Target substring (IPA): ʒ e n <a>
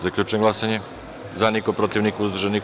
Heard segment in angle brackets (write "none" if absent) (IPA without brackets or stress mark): i